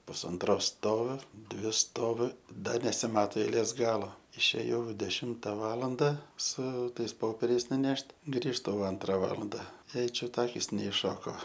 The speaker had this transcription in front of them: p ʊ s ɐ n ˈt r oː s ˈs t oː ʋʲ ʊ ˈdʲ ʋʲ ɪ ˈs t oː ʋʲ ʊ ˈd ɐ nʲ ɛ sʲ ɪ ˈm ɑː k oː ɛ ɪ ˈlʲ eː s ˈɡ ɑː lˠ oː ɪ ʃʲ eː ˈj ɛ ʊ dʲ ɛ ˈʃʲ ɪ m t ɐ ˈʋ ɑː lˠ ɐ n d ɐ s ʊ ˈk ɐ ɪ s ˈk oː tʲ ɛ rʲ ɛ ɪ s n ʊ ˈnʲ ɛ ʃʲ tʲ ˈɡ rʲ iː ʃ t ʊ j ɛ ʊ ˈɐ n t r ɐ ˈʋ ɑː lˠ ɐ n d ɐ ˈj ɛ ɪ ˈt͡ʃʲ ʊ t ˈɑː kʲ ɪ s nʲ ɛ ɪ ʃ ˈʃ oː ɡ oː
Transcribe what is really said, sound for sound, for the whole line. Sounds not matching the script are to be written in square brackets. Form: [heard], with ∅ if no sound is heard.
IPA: p ʊ s ɐ n ˈt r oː s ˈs t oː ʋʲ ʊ ˈdʲ ʋʲ ɪ ˈs t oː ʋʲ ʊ ˈd ɐ nʲ ɛ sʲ ɪ ˈm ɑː [t] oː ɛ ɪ ˈlʲ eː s ˈɡ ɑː lˠ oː ɪ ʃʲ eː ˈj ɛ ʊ dʲ ɛ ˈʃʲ ɪ m t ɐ ˈʋ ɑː lˠ ɐ n d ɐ s ʊ [ˈt] ɐ ɪ s [ˈp] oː [pʲ] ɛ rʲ ɛ ɪ s n ʊ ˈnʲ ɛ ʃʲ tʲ ˈɡ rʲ iː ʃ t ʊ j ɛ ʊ ˈɐ n t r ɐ ˈʋ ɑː lˠ ɐ n d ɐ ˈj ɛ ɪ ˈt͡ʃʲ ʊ t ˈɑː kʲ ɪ s nʲ ɛ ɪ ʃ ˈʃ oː [k] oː